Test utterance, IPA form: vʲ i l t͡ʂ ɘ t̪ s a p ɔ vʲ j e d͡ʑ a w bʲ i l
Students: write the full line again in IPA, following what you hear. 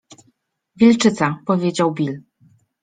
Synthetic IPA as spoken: vʲ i l t͡ʂ ɘ t̪ s a p ɔ vʲ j e d͡ʑ a w bʲ i l